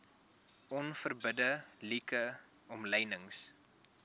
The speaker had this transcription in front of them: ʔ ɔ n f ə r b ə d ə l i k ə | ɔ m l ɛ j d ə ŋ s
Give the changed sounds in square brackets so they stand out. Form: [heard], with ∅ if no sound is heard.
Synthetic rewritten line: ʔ ɔ n f ə r b ə d ə l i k ə | ɔ m l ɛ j [n] ə ŋ s